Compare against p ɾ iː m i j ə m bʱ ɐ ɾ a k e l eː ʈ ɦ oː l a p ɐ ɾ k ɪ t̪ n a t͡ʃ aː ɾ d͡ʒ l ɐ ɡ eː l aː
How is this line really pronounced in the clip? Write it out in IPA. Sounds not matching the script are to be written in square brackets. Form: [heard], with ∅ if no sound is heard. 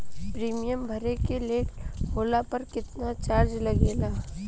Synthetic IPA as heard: p ɾ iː m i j ə m bʱ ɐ ɾ [e] k e l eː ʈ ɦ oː l a p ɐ ɾ k ɪ t̪ n a t͡ʃ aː ɾ d͡ʒ l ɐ ɡ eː l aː